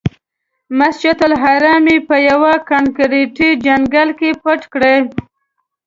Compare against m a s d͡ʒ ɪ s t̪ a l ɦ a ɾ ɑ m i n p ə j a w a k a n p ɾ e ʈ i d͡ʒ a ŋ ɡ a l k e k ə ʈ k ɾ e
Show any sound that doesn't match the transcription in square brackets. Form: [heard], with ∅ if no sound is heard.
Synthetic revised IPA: m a s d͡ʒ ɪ [∅] t̪ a l ɦ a ɾ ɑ m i [∅] p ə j a w a k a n [k] ɾ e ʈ i d͡ʒ a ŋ ɡ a l k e [p] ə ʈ k [ɽ] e